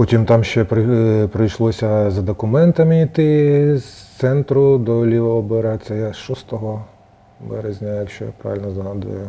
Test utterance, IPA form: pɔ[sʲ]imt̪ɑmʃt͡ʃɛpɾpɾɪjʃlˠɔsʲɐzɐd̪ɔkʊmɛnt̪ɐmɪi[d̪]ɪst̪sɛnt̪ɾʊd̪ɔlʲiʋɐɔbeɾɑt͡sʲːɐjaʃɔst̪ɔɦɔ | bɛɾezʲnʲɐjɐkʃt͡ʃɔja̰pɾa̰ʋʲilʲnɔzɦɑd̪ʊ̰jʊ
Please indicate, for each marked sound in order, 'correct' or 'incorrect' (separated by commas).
incorrect, incorrect